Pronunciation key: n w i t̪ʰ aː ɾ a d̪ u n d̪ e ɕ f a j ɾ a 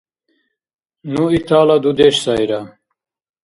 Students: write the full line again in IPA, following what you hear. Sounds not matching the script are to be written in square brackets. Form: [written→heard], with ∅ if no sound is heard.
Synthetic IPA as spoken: n [w→u] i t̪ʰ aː [ɾ→l] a d̪ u [n→∅] d̪ e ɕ [f→s] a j ɾ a